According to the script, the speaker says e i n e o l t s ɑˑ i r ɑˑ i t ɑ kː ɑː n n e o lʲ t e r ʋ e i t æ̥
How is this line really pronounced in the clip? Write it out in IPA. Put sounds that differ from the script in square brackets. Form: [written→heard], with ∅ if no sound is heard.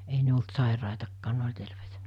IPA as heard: e i n e o l t s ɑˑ i r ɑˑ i t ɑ kː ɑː n n e o lʲ t e r ʋ e i t æ̥

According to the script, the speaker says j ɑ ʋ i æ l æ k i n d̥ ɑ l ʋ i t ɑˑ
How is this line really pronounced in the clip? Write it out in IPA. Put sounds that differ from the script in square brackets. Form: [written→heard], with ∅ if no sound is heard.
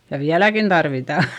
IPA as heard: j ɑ ʋ i æ l æ k i n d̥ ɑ [l→r] ʋ i t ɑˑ

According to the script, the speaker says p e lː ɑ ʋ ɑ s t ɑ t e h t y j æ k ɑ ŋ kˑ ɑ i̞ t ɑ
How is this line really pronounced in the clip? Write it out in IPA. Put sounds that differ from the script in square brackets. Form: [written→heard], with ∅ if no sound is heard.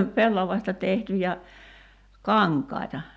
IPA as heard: p e lː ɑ ʋ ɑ s t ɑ t e h t y j æ k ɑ ŋ kˑ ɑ i̞ t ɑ

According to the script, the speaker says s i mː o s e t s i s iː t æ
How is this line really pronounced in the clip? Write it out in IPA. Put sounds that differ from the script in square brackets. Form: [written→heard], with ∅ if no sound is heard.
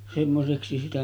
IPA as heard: s [i→e] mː o s e [t→k] s i s [iː→i] t æ

